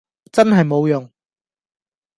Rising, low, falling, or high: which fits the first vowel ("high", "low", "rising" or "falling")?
high